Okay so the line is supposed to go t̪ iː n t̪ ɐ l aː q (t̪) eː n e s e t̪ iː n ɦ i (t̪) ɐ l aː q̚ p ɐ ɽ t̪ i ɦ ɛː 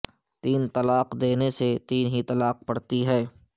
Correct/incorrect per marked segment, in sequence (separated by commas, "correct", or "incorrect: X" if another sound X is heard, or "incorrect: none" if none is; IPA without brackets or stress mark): incorrect: d̪, correct